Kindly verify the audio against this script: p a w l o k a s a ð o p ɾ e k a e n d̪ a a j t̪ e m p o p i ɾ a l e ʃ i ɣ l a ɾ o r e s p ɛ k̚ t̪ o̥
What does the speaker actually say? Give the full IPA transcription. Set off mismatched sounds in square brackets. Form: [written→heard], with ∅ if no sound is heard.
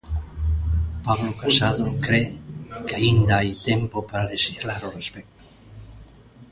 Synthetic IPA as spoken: p a [w→β] l o k a s a ð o [p→k] ɾ e k a [e→i] n d̪ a a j t̪ e m p o p [i→a] ɾ a l e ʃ i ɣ l a ɾ o r e s p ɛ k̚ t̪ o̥